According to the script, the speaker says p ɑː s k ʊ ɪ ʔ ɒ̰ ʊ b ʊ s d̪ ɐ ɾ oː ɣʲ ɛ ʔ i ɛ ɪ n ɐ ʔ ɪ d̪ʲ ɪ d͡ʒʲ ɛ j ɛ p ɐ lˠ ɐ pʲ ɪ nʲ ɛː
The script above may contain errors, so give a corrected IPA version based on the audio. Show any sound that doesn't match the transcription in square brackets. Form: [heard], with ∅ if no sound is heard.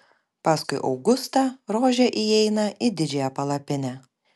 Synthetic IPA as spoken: p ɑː s k ʊ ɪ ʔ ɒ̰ ʊ [ɡ] ʊ s [t̪] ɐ ɾ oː [ʒʲ] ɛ ʔ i ɛ ɪ n ɐ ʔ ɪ d̪ʲ ɪ d͡ʒʲ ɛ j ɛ p ɐ lˠ ɐ pʲ ɪ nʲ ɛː